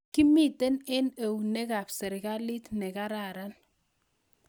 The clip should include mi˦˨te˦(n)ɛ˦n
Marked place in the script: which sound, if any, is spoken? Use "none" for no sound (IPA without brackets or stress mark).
n